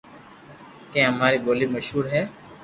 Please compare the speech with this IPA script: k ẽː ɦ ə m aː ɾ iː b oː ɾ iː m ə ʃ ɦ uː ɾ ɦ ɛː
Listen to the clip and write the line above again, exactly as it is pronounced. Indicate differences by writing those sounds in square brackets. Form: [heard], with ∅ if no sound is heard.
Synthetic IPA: k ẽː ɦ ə m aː ɾ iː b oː [l] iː m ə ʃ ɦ uː ɾ ɦ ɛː